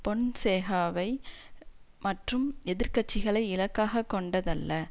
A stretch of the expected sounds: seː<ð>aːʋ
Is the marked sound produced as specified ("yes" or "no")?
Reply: no